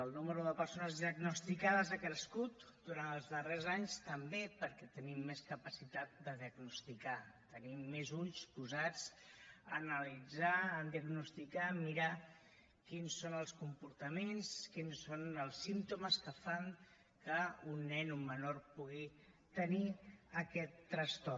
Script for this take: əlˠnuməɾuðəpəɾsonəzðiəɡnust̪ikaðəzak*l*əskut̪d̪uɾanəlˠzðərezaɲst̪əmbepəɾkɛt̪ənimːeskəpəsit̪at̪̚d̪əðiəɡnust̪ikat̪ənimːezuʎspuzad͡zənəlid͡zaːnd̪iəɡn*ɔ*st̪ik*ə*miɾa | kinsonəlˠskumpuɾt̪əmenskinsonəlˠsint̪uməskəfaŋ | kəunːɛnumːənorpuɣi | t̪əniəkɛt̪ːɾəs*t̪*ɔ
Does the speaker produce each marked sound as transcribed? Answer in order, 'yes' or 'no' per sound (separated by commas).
no, no, no, yes